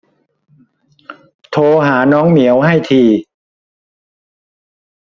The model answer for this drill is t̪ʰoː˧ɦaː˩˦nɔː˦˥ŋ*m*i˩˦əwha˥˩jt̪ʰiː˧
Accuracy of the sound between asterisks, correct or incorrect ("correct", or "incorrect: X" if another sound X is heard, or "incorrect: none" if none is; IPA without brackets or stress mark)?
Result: correct